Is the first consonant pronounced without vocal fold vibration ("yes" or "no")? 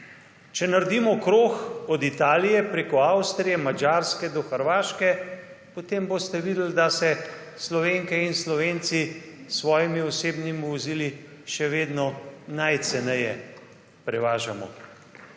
yes